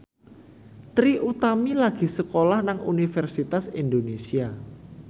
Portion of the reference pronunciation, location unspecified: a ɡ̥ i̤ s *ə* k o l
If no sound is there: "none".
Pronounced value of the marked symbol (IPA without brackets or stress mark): ə